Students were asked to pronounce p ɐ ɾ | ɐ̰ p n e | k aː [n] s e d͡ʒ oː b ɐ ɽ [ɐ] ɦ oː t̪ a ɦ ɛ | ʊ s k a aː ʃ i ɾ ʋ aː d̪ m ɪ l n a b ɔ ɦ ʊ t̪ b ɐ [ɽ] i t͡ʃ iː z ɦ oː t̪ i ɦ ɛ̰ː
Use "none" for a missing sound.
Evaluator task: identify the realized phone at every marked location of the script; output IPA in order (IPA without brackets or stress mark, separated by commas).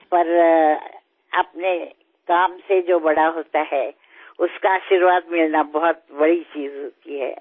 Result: m, a, ɽ